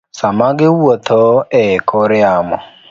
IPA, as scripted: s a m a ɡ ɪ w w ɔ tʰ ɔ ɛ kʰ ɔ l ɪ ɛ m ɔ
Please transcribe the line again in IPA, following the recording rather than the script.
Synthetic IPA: s a m a ɡ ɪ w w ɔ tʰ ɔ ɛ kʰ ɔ ɾ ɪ a m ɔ